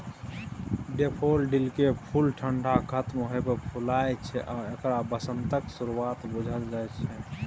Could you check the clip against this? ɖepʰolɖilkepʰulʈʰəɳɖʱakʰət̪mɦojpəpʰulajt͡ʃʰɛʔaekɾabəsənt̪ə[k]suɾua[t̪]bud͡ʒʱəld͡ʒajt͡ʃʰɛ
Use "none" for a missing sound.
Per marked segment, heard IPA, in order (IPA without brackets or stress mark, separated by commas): k, t̪